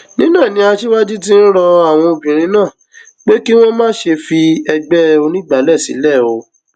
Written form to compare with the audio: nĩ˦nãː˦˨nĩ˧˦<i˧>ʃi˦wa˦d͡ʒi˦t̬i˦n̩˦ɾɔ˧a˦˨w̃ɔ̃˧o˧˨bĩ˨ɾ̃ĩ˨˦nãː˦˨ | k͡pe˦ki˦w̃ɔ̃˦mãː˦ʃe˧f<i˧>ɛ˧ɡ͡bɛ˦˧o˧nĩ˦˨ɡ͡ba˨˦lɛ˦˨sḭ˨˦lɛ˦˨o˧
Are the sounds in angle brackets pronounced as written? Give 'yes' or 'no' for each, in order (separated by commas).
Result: no, yes